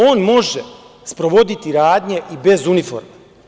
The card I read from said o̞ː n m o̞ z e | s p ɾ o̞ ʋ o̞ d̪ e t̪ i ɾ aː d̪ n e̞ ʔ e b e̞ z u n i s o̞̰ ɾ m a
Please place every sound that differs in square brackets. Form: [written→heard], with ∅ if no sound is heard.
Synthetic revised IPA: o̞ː n m o̞ [z→ʒ] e | s p ɾ o̞ ʋ o̞ d̪ [e→i] t̪ i ɾ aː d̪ [n→ɲ] e̞ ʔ [e→i] b e̞ z u n i [s→f] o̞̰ ɾ m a